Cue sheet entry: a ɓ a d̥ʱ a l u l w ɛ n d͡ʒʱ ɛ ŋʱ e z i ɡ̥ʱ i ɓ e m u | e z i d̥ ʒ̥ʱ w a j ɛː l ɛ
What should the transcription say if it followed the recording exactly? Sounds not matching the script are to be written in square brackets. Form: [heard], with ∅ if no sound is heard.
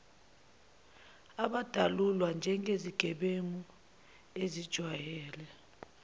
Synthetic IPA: a ɓ a d̥ʱ a l u l w [a] n d͡ʒʱ ɛ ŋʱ e z i ɡ̥ʱ [ɛ] ɓ e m u | e z i d̥ ʒ̥ʱ w a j ɛː l ɛ

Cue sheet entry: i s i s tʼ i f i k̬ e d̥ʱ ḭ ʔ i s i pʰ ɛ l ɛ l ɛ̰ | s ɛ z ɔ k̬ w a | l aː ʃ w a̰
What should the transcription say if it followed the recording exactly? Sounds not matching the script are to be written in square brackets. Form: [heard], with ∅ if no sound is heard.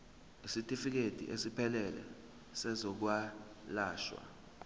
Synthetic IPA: i s i [∅] tʼ i f i k̬ e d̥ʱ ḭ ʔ [e] s i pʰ ɛ l ɛ l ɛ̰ | s ɛ z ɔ k̬ w a | l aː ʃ w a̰

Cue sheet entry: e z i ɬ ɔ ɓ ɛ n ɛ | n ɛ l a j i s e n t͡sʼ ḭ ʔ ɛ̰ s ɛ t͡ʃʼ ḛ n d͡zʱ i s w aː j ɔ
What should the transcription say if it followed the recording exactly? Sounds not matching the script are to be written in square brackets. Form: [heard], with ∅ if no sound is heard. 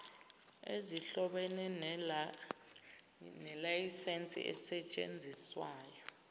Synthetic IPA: e z i ɬ ɔ ɓ ɛ n ɛ | n ɛ l a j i s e n t͡sʼ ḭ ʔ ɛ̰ s ɛ t͡ʃʼ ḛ n d͡zʱ i s w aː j ɔ

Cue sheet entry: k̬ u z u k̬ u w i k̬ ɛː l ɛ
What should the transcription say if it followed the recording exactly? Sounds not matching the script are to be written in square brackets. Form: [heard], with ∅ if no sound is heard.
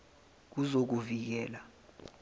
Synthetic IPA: k̬ u z [o] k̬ u [v] i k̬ ɛː l [a]

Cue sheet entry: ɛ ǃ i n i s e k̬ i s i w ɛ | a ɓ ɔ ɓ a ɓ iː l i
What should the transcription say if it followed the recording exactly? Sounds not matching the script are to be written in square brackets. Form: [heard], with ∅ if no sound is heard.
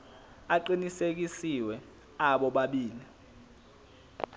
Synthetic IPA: [a] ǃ i n i s e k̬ i s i w ɛ | a ɓ ɔ ɓ a ɓ iː l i

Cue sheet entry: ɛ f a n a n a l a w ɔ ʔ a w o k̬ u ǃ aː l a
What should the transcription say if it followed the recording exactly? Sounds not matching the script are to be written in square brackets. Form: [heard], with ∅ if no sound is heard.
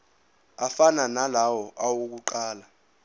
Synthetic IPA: [a] f a n a n a l a w ɔ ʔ a w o k̬ u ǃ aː l a

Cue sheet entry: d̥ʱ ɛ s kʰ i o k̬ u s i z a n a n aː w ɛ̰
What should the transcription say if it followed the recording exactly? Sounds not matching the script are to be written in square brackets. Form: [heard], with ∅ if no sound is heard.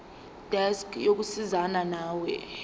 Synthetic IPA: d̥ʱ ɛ s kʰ [j] o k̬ u s i z a n a n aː w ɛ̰

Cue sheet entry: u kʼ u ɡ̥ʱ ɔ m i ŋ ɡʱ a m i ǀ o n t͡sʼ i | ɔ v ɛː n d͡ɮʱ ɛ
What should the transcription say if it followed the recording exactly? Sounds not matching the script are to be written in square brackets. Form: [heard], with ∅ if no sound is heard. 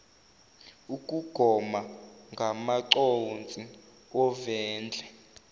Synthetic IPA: u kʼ u ɡ̥ʱ ɔ m [a] ŋ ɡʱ a m [a] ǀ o n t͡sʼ i | ɔ v ɛː n d͡ɮʱ ɛ

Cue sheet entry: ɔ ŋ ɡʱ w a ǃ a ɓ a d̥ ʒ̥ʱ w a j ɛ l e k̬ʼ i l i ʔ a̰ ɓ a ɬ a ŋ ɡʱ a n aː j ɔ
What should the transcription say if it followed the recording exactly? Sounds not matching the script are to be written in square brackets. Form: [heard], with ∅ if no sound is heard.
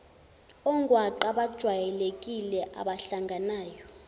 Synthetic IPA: ɔ ŋ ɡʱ w a ǃ a ɓ a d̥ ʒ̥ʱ w a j ɛ l e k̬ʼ i l [ɛ] ʔ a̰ ɓ a ɬ a ŋ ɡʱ a n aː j ɔ

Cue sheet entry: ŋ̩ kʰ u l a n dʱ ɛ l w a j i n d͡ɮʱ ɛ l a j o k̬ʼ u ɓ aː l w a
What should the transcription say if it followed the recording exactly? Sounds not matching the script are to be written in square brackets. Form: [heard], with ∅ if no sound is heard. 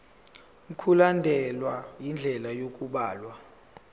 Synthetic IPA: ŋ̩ kʰ u l a n dʱ ɛ l w a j i n d͡ɮʱ ɛ l a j o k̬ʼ u ɓ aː l w a

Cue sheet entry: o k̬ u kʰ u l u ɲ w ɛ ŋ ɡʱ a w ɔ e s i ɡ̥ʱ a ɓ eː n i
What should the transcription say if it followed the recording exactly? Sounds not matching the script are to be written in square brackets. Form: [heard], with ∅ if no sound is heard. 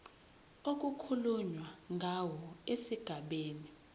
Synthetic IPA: o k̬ u kʰ u l u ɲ w [a] ŋ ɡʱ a w ɔ e s i ɡ̥ʱ a ɓ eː n i

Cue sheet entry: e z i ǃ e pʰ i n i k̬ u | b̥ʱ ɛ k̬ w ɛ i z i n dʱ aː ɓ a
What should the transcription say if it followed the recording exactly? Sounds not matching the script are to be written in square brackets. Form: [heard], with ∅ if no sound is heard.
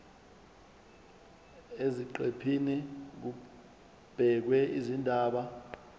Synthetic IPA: e z i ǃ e pʰ i n i k̬ u | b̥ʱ ɛ k̬ w ɛ i z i n dʱ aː ɓ a

